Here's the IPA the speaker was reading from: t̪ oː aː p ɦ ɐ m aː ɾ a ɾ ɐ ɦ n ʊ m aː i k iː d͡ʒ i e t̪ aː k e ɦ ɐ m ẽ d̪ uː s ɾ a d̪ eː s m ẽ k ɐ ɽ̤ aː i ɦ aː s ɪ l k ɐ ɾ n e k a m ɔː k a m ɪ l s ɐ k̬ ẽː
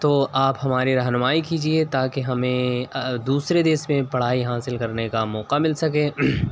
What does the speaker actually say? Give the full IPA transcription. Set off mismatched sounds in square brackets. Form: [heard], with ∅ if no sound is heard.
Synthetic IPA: t̪ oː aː p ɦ ɐ m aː ɾ [i] ɾ ɐ ɦ n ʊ m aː i k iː d͡ʒ i e t̪ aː k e ɦ ɐ m ẽ d̪ uː s ɾ [e] d̪ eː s m ẽ [p] ɐ ɽ̤ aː i ɦ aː s ɪ l k ɐ ɾ n e k a m ɔː [q] a m ɪ l s ɐ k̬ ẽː